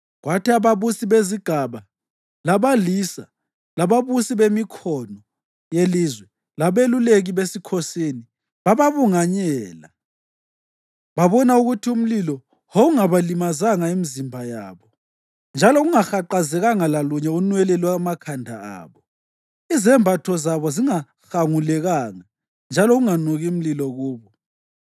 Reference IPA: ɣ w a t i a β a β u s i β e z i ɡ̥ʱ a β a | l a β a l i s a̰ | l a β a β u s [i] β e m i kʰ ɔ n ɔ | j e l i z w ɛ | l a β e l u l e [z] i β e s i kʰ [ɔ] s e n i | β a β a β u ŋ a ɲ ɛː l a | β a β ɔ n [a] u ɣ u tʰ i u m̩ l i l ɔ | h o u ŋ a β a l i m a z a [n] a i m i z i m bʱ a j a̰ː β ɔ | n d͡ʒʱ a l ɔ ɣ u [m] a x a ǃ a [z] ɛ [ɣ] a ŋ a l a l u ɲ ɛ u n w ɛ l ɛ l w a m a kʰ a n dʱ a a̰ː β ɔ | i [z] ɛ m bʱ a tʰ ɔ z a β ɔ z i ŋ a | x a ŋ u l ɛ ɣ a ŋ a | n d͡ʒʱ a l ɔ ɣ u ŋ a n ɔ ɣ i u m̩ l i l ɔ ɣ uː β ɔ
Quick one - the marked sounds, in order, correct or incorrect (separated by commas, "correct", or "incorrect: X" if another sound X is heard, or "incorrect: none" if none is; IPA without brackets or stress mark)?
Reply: correct, incorrect: ɣ, correct, correct, incorrect: ŋ, incorrect: ŋ, correct, correct, correct